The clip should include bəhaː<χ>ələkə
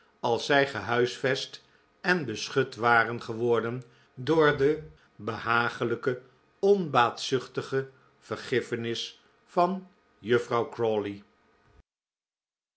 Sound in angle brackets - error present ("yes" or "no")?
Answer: no